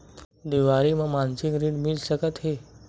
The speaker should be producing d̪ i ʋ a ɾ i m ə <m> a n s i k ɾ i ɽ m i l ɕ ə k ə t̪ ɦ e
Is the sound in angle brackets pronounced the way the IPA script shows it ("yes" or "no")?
yes